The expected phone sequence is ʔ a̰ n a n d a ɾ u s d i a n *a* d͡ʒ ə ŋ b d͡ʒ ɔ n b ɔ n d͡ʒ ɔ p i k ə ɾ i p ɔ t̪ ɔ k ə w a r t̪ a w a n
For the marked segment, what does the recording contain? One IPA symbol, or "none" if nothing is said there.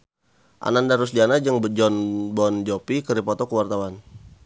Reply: a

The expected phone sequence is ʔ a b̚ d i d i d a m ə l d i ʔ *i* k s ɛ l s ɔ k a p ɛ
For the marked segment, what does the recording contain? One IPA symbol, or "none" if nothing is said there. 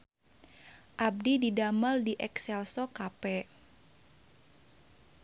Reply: ɛ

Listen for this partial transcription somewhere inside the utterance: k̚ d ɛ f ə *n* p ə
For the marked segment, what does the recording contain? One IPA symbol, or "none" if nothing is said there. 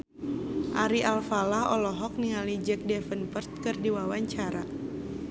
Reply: n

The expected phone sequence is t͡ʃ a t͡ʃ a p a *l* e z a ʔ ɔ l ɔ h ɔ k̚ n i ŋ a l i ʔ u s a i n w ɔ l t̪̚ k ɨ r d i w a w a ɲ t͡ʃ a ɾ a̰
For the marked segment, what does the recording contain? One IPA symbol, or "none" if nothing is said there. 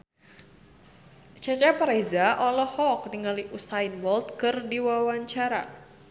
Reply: ɾ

